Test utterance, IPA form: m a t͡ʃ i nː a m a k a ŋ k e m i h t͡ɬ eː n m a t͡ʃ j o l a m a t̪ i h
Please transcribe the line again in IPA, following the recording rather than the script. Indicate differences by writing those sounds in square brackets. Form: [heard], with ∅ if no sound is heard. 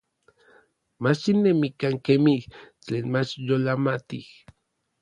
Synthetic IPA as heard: m a t͡ʃ i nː [e] m [i] k a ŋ k e m i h t͡ɬ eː n m a t͡ʃ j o l a m a t̪ i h